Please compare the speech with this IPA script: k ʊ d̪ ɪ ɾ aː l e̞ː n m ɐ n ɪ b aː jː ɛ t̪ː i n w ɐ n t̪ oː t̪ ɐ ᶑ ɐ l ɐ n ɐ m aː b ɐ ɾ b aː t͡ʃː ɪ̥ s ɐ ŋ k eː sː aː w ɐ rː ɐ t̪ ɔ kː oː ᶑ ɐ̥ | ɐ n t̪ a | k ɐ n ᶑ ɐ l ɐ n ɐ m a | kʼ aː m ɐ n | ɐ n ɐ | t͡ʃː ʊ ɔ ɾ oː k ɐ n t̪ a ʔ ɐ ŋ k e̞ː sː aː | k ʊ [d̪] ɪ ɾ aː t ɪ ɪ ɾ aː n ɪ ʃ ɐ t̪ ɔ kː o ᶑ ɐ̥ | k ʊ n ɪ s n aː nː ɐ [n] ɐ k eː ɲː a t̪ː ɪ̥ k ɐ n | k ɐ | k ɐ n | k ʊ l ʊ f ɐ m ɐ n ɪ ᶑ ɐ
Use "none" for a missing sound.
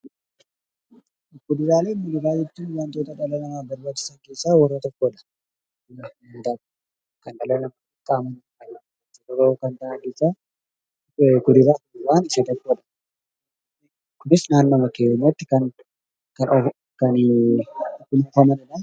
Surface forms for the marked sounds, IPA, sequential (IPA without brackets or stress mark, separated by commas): d̪, m